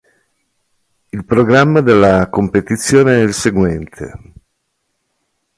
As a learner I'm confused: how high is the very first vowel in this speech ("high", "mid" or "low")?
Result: high